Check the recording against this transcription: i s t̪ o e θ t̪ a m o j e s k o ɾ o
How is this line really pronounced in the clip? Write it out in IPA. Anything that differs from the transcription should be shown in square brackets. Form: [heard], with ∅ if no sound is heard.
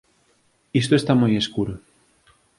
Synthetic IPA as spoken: i s t̪ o e [s] t̪ a m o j e s k [u] ɾ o